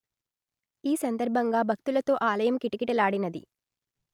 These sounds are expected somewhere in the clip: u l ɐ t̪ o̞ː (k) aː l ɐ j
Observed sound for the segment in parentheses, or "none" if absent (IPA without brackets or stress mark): ʔ